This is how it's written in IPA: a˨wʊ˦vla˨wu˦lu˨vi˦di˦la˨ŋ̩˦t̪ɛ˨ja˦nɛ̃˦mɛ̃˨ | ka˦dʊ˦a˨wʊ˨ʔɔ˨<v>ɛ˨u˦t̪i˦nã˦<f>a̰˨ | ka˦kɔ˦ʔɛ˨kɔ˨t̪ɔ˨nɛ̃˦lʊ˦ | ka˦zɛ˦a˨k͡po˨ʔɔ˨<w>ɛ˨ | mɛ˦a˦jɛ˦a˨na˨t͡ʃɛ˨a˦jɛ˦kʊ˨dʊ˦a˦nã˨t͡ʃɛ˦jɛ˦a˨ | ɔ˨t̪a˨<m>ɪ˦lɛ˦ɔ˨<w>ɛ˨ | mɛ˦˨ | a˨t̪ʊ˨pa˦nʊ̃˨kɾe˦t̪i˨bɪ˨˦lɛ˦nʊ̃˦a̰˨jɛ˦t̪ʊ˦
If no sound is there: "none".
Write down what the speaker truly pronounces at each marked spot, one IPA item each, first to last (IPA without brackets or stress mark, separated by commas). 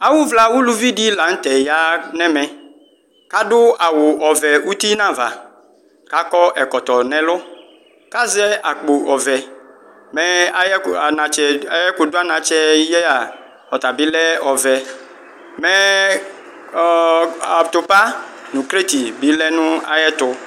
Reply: v, v, v, b, v